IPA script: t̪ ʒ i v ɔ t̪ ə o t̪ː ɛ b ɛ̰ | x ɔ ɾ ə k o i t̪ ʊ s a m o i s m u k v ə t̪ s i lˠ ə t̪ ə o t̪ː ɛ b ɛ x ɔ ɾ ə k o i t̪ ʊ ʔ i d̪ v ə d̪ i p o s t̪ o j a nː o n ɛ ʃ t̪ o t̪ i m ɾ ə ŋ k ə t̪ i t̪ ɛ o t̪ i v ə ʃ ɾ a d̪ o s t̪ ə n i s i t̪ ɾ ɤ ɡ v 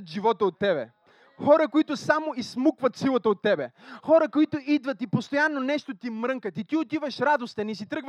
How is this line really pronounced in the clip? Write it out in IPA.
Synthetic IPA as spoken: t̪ ʒ i v ɔ t̪ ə o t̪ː ɛ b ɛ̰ | x ɔ ɾ ə k o i t̪ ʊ s a m o i s m u k v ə t̪ s i lˠ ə t̪ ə o t̪ː ɛ b ɛ x ɔ ɾ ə k o i t̪ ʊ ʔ i d̪ v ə t̪ i p o s t̪ o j a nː o n ɛ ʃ t̪ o t̪ i m ɾ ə ŋ k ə t̪ i t̪ i o t̪ i v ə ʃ ɾ a d̪ o s t̪ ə n i s i t̪ ɾ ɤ ɡ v